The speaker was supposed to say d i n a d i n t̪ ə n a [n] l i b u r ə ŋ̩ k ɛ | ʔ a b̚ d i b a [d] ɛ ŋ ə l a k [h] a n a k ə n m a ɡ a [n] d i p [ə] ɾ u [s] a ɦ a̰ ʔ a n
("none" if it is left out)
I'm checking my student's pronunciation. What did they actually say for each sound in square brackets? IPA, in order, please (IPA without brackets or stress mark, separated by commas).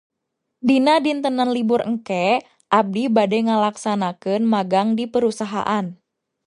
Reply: n, d, s, ŋ, ə, s